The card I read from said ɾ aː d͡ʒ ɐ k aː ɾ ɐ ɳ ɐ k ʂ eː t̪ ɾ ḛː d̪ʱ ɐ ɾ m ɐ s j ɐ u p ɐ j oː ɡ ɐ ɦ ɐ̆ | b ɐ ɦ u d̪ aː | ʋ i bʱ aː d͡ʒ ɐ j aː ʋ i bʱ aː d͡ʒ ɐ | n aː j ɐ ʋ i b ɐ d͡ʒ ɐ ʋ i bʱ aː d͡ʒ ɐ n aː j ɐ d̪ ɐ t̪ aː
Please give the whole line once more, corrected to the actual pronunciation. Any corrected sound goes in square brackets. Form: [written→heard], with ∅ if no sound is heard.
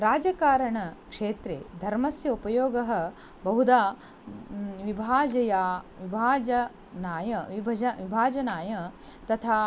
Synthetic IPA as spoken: ɾ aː d͡ʒ ɐ k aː ɾ ɐ ɳ ɐ k ʂ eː t̪ ɾ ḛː d̪ʱ ɐ ɾ m ɐ s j ɐ u p ɐ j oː ɡ ɐ ɦ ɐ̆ | b ɐ ɦ u d̪ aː | ʋ i bʱ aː d͡ʒ ɐ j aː ʋ i bʱ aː d͡ʒ ɐ | n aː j ɐ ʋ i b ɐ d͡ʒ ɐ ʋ i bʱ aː d͡ʒ ɐ n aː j ɐ [d̪→t̪] ɐ [t̪→t̪ʰ] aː